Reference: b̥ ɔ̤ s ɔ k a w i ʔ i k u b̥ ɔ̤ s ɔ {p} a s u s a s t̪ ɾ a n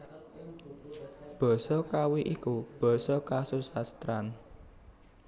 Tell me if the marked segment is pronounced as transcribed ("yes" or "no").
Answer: no